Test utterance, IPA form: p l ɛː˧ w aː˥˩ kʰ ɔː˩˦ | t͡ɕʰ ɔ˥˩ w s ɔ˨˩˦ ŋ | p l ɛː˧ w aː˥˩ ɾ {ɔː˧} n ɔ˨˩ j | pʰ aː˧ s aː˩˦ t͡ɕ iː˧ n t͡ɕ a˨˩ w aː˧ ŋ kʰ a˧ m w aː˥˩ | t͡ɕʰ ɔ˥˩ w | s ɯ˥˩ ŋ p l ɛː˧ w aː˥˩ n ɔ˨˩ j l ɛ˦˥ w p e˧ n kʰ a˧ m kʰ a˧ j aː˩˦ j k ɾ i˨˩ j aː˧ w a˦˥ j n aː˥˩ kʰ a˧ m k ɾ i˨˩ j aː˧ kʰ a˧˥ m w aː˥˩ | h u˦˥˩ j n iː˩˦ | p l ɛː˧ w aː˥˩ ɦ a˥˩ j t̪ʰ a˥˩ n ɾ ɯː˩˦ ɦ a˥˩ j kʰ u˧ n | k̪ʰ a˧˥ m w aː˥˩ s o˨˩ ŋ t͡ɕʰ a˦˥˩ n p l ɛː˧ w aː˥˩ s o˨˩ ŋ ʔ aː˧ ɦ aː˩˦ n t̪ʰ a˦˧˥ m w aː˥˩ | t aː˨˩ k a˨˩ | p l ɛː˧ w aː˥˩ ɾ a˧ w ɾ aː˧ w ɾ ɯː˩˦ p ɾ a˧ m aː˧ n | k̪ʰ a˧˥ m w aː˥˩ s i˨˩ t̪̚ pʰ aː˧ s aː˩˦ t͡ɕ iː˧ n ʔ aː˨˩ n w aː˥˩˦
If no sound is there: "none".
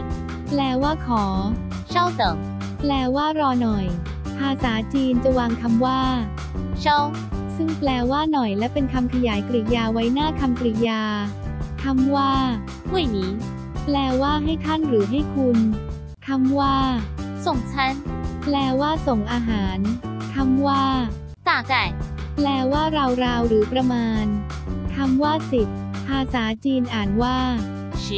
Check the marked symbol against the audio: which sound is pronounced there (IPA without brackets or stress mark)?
ɔː˧